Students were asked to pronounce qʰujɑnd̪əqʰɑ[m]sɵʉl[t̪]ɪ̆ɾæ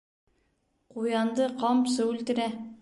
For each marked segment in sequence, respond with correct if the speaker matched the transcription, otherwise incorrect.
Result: correct, correct

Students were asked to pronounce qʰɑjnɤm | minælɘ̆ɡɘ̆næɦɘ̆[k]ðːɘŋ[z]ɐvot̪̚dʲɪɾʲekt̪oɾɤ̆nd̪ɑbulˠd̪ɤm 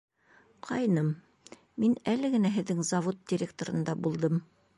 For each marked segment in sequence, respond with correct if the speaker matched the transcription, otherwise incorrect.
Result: incorrect: none, correct

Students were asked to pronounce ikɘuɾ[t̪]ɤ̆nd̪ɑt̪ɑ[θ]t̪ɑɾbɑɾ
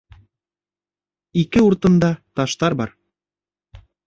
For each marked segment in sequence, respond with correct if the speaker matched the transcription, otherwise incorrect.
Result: correct, incorrect: ʃ

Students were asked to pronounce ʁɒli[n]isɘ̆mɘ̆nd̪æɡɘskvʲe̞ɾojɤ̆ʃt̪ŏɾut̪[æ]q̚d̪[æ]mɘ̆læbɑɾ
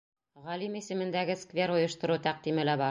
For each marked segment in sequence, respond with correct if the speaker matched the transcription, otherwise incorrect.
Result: incorrect: m, correct, incorrect: i

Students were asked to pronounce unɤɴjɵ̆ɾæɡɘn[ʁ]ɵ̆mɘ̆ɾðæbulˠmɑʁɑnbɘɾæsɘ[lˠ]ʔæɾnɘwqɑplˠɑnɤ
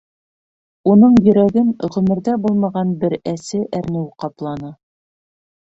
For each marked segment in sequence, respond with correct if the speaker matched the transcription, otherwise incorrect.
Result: correct, incorrect: none

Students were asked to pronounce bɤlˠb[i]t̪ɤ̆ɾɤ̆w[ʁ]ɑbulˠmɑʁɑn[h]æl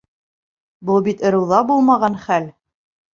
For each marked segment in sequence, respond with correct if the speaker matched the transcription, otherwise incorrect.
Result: correct, incorrect: ð, incorrect: χ

